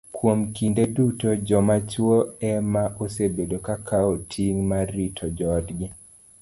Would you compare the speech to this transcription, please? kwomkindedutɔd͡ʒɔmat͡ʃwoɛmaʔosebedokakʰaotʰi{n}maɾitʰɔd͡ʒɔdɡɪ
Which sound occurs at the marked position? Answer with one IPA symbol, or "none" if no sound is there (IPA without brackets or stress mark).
ŋ